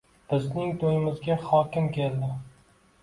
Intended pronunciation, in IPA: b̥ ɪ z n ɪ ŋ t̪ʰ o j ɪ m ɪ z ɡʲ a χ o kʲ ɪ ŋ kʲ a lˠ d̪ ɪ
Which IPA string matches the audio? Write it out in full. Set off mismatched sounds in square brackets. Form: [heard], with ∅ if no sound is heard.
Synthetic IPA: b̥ ɪ z n ɪ ŋ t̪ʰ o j ɪ m ɪ z ɡʲ a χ [ɒ] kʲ ɪ [m] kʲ [e] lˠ d̪ ɪ